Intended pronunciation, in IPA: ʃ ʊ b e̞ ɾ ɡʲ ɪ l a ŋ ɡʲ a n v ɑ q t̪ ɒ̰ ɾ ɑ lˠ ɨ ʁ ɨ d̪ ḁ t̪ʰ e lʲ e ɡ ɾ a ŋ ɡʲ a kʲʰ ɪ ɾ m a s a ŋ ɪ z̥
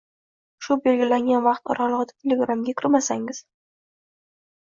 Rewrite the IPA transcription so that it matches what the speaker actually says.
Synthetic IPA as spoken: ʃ ʊ b e̞ l ɡʲ ɪ l a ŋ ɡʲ a n v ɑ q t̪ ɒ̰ ɾ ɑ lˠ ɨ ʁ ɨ d̪ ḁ t̪ʰ e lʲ e ɡ ɾ a m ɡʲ a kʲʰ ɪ ɾ m a s a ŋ ɪ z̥